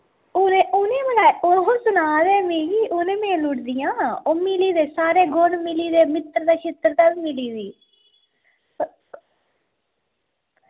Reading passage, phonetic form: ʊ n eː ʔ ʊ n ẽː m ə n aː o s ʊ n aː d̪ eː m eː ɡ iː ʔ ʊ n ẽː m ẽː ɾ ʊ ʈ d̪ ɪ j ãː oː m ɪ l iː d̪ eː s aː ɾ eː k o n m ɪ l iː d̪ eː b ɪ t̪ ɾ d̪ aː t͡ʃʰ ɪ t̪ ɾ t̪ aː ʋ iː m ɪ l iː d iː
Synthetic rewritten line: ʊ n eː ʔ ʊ n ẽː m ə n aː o s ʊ n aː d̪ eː m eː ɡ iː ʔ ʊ n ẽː m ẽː l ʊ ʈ d̪ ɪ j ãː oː m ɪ l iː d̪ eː s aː ɾ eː ɡ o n m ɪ l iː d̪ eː m ɪ t̪ ɾ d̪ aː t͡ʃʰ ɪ t̪ ɾ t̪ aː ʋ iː m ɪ l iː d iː